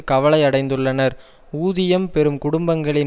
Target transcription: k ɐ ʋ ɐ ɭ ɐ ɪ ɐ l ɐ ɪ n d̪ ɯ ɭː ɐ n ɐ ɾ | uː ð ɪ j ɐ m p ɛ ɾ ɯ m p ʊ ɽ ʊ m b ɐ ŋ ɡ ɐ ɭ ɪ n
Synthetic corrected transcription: k ɐ ʋ ɐ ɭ ɐ ɪ ɐ ɽ ɐ ɪ n d̪ ɯ ɭː ɐ n ɐ ɾ | uː ð ɪ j ɐ m p ɛ ɾ ɯ m k ʊ ɽ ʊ m b ɐ ŋ ɡ ɐ ɭ ɪ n